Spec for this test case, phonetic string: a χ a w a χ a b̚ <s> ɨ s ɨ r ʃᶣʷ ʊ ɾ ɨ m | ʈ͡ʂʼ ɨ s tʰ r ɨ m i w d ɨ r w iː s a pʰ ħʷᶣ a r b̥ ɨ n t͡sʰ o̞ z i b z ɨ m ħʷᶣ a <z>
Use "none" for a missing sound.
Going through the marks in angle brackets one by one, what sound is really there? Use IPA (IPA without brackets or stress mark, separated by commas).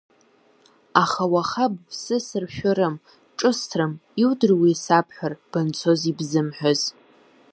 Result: s, z